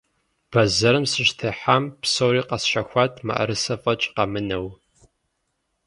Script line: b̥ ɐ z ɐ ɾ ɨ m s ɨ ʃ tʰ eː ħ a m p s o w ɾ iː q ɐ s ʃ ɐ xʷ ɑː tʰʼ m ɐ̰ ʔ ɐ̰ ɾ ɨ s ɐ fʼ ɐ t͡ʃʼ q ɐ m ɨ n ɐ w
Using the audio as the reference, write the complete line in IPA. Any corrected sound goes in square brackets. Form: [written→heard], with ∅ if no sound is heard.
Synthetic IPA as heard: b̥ ɐ z ɐ ɾ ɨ m s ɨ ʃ tʰ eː ħ a m p s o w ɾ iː q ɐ s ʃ ɐ xʷ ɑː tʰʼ m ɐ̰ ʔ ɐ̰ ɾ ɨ s ɐ fʼ ɐ t͡ʃʼ q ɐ m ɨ n ɐ w